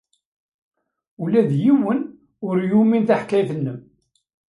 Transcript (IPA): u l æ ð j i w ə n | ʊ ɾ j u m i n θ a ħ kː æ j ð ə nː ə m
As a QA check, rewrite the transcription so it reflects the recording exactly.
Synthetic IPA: u l æ ð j i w ə n | ʊ ɾ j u m i n θ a ħ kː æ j θ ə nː ə m